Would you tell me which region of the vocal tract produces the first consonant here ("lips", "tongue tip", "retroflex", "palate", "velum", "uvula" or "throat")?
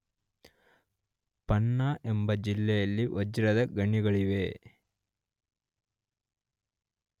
lips